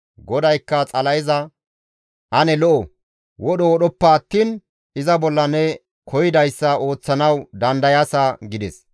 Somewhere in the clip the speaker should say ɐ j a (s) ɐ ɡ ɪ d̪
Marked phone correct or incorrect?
correct